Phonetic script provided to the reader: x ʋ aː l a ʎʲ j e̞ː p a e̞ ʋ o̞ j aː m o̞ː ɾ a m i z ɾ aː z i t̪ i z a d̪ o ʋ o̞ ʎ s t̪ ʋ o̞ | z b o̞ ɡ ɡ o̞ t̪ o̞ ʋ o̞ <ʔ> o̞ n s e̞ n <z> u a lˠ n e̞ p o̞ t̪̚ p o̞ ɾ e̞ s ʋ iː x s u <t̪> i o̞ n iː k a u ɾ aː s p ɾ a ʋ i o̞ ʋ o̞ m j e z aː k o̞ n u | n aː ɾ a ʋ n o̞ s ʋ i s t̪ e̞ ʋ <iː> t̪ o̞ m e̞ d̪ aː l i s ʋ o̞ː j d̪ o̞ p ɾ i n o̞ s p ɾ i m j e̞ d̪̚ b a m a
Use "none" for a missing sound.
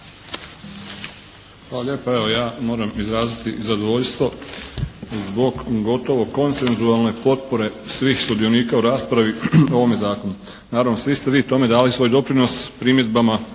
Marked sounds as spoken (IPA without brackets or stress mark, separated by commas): k, z, d̪, iː